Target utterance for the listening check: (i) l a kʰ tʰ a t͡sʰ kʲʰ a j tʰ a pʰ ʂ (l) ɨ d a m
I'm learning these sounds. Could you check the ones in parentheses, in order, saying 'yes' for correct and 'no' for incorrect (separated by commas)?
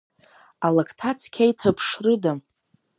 no, no